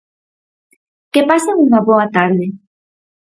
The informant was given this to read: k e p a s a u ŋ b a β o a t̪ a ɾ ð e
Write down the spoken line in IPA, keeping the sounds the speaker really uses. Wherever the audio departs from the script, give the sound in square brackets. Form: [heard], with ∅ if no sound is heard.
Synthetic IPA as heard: k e p a s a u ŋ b a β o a t̪ a ɾ ð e